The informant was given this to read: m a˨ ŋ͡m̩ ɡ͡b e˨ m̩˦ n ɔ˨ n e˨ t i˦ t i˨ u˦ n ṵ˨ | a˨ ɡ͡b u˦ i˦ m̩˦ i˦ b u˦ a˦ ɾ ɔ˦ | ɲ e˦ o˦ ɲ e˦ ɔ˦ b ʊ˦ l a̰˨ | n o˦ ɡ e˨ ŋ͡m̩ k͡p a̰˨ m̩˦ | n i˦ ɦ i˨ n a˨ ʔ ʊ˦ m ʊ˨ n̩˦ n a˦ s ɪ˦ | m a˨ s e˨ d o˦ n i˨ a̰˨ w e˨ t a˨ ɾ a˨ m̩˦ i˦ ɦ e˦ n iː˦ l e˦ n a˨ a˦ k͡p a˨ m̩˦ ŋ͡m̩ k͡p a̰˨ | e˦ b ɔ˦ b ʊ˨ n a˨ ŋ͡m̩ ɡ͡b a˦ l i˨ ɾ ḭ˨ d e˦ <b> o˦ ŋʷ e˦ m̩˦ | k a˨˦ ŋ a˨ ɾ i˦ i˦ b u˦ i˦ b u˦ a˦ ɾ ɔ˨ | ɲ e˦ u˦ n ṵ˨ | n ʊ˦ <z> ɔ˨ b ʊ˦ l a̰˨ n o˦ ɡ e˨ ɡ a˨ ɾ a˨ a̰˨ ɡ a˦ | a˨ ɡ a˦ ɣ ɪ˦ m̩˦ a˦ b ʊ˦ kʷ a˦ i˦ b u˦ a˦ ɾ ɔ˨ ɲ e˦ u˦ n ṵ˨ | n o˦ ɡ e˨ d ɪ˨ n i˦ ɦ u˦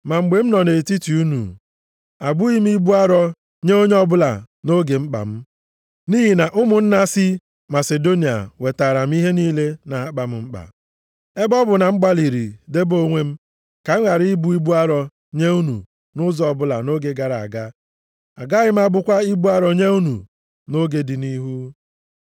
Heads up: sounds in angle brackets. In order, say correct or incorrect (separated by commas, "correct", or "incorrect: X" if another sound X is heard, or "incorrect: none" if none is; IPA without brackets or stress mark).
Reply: correct, correct